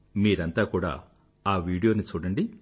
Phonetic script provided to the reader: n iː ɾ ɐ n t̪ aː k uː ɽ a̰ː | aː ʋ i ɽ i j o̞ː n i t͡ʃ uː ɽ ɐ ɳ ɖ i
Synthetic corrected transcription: m iː ɾ ɐ n t̪ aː k uː ɽ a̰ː | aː ʋ iː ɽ i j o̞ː n i t͡ʃ uː ɽ ɐ ɳ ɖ i